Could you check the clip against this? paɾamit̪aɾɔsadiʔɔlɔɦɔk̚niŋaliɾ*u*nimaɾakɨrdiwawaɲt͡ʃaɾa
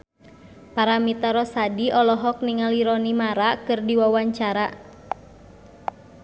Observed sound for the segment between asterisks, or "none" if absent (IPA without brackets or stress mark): ɔ